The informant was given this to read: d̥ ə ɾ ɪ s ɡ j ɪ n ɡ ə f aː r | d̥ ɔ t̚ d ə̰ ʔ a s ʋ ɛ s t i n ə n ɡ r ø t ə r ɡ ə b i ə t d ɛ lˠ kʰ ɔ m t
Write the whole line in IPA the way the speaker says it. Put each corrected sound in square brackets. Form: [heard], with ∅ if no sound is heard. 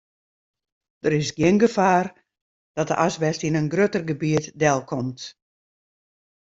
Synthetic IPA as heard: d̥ ə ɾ ɪ s ɡ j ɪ n ɡ ə f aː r | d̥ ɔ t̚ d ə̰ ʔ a s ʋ ɛ s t i n ə n ɡ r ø t ə r ɡ ə b i ə t d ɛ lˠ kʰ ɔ m t